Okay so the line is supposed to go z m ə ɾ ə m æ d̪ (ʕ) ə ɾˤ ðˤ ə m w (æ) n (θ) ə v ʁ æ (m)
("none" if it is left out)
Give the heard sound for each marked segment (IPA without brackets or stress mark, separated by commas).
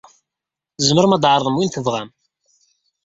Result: ʕ, i, θ, m